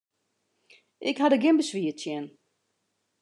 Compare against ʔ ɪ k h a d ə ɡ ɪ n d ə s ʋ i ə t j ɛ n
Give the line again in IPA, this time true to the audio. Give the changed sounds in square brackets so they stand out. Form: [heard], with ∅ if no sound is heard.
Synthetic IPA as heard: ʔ ɪ k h a d ə ɡ ɪ n [b] ə s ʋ i ə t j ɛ n